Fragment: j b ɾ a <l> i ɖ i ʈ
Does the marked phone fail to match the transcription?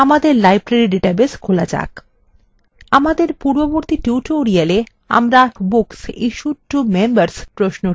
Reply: yes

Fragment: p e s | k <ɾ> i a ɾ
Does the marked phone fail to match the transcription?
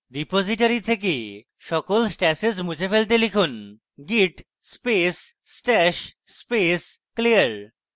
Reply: yes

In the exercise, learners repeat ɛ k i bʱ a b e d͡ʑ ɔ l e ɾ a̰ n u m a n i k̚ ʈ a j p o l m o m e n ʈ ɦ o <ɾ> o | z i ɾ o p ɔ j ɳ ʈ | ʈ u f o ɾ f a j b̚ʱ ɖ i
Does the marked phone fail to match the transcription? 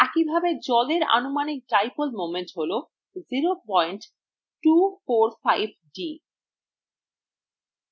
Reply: yes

